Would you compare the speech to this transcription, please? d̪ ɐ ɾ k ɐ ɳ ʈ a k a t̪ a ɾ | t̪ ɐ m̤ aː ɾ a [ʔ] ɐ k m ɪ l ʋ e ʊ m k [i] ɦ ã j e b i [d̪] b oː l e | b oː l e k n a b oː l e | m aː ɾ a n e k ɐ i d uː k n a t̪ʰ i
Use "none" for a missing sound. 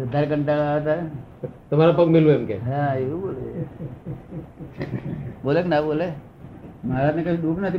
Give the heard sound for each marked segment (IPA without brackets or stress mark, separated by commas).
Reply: p, e, none